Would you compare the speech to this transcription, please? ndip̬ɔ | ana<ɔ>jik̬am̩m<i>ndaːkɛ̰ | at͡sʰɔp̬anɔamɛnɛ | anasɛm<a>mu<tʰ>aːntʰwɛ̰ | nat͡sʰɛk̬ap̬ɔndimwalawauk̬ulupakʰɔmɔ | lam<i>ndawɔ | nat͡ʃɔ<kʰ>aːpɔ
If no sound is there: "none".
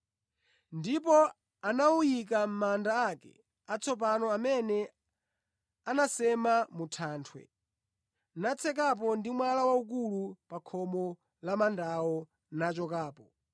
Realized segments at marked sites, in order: u, a, a, tʰ, a, k

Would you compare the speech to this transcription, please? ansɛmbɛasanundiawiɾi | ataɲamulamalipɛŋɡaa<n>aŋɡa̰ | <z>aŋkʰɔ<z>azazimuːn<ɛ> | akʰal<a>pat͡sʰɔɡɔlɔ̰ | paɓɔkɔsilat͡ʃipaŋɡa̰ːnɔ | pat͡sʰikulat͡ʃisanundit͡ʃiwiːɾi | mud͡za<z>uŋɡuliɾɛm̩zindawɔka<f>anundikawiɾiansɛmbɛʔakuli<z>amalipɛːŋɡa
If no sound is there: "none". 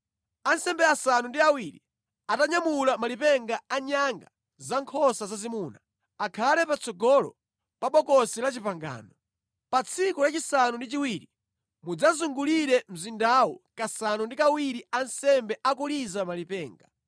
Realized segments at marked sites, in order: ɲ, z, s, a, ɛ, z, s, z

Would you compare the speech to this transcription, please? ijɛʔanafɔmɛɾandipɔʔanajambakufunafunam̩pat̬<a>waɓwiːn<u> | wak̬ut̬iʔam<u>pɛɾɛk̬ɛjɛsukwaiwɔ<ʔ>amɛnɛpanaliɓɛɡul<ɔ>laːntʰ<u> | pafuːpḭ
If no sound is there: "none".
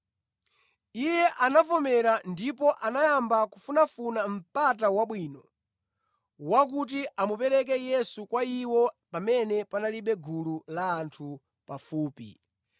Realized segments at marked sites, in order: a, ɔ, u, p, u, u

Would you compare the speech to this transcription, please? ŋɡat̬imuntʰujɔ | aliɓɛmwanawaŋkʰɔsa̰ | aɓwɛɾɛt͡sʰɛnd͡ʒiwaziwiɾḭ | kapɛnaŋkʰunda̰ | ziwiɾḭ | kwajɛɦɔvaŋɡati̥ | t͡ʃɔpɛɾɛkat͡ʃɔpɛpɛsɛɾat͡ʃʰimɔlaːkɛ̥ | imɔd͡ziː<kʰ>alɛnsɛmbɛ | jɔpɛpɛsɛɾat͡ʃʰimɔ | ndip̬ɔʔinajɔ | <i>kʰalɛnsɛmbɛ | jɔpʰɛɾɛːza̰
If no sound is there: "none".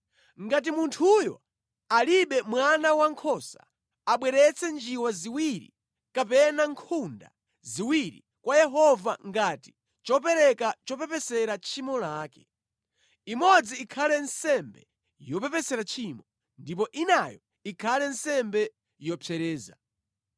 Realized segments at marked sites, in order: kʰ, i

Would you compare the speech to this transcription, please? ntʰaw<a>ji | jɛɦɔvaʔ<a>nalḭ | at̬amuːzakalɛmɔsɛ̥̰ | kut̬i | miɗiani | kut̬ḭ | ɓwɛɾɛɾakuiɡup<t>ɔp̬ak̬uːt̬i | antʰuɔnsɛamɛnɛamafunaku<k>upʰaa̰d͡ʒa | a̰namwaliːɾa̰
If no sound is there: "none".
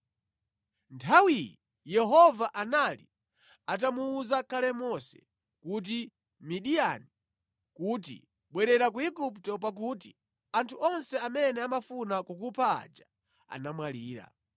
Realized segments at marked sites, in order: i, a, t, k

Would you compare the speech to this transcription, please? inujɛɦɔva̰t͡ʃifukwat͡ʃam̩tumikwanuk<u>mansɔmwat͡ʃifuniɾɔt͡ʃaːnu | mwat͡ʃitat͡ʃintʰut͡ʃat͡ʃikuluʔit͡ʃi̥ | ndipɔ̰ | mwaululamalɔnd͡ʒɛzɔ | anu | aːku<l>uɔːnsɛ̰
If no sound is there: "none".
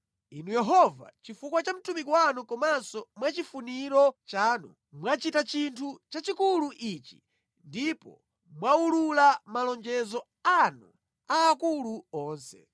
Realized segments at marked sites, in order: ɔ, l

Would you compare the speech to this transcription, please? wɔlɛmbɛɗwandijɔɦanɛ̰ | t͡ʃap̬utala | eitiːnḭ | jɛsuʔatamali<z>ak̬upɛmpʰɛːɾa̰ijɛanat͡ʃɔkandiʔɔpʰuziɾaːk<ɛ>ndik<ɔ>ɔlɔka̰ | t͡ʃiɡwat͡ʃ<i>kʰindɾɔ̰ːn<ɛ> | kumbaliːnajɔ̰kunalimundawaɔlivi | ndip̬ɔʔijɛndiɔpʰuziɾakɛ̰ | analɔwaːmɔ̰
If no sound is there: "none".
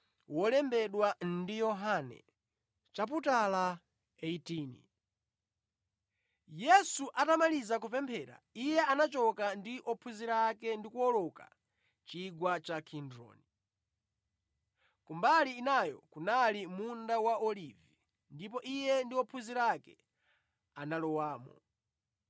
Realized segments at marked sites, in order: z, ɛ, u, a, i

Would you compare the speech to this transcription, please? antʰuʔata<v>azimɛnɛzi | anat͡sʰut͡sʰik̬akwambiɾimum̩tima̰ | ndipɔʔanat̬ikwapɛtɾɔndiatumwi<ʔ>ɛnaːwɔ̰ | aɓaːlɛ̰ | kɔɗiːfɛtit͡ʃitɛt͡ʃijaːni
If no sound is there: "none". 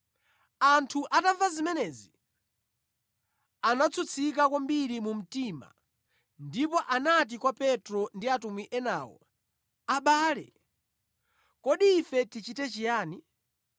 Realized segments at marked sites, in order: v, ʔ

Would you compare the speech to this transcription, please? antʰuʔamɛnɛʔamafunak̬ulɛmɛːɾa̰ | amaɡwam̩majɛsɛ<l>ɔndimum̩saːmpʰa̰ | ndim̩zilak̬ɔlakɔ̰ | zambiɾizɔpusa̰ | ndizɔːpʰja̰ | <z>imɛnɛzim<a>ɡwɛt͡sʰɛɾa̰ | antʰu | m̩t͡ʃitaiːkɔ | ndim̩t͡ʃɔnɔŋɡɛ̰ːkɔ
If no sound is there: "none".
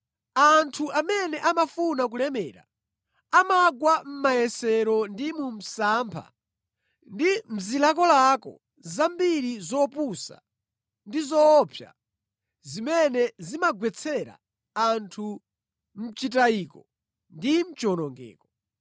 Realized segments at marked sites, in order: ɾ, z, a

